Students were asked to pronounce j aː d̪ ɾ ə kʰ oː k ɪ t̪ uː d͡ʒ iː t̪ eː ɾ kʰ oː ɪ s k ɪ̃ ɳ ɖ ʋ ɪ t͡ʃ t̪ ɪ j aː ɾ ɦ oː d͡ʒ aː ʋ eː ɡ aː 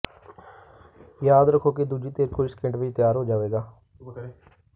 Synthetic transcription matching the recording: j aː d̪ ɾ ə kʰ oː k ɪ d̪ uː d͡ʒ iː t̪ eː ɾ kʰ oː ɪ s k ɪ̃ ɳ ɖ ʋ ɪ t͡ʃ t̪ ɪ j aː ɾ ɦ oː d͡ʒ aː ʋ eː ɡ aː